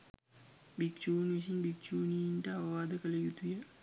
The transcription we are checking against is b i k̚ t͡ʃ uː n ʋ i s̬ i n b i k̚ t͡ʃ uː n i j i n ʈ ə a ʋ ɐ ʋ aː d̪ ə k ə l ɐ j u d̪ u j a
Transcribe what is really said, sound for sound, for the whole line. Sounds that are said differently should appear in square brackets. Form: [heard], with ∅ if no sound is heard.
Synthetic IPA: b i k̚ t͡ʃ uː n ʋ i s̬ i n b i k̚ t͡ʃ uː n i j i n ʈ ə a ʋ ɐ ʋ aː d̪ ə k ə l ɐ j u [t̪] u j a